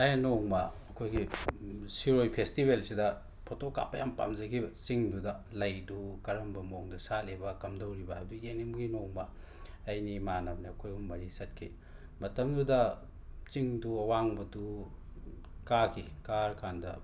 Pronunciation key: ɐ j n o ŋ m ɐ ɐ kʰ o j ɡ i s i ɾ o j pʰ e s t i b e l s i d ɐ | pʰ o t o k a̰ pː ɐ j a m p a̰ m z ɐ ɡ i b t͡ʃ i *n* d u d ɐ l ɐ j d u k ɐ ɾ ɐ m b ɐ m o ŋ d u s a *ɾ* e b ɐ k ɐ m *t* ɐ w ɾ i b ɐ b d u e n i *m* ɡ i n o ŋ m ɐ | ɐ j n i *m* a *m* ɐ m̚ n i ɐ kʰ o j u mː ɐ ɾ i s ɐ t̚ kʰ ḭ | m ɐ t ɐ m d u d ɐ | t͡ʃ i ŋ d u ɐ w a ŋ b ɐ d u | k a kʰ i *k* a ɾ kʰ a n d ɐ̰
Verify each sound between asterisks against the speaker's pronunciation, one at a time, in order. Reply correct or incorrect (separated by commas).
incorrect, incorrect, incorrect, correct, correct, incorrect, correct